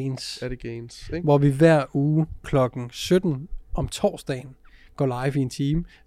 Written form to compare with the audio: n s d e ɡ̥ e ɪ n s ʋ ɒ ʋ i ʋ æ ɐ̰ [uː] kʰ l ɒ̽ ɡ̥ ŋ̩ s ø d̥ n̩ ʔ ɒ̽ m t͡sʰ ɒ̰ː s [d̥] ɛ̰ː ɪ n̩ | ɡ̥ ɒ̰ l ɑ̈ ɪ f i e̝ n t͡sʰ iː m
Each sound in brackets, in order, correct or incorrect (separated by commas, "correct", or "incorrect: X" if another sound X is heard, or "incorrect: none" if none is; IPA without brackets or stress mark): correct, correct